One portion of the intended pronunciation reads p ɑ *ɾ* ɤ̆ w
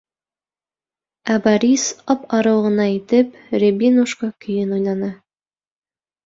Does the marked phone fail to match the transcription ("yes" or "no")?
no